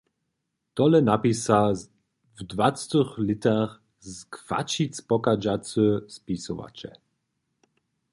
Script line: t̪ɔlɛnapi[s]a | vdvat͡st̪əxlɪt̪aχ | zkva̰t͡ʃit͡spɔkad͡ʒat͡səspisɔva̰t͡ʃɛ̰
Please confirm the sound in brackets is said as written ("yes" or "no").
yes